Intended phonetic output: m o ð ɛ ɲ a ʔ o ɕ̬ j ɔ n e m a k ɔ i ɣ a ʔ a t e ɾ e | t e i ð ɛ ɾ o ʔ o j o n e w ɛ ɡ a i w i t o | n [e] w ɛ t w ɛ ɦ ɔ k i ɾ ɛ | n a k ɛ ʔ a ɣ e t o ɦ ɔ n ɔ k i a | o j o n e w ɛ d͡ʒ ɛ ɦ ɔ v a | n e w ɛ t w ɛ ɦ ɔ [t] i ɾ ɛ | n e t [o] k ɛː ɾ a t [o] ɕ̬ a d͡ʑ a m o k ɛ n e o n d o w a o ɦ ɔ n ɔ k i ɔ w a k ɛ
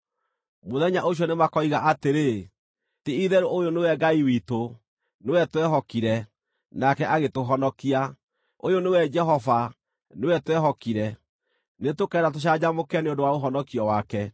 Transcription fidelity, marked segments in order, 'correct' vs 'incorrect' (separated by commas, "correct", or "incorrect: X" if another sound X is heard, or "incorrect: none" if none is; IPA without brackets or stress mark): correct, incorrect: k, correct, correct